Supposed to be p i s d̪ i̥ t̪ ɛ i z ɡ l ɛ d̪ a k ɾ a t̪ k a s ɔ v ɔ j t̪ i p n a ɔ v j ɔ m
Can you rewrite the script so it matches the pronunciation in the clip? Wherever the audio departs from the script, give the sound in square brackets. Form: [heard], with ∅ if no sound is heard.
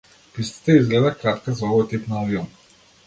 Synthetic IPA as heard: p i s [t̪] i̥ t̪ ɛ i z ɡ l ɛ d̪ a k ɾ a t̪ k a [z] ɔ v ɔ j t̪ i p n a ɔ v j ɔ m